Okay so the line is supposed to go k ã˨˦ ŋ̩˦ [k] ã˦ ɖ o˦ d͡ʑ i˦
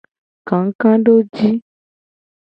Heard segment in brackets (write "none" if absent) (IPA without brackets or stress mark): k